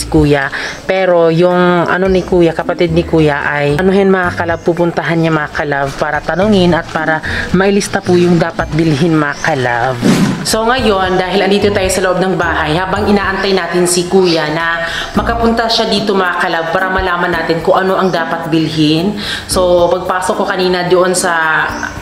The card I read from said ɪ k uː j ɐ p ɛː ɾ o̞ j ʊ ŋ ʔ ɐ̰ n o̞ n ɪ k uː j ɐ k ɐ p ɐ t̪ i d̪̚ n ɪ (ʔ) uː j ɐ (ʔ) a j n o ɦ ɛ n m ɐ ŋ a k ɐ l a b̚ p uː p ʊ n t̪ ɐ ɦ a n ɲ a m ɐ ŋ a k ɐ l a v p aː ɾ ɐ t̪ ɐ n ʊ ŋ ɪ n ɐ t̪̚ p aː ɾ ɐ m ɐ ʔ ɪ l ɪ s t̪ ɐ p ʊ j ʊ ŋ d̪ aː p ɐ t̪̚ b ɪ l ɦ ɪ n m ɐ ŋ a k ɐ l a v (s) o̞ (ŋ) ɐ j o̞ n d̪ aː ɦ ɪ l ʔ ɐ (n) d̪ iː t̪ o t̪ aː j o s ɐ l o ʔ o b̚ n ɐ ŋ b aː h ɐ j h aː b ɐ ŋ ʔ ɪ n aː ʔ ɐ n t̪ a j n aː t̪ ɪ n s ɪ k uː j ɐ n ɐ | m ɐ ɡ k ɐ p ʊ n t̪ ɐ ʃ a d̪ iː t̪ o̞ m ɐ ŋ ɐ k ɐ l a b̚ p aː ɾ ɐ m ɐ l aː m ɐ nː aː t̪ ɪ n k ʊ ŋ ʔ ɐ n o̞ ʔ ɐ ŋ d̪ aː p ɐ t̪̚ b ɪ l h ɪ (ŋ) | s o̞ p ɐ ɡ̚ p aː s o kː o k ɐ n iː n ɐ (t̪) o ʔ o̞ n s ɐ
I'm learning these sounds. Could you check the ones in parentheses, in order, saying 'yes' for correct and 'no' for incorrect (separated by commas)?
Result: no, yes, yes, yes, yes, no, no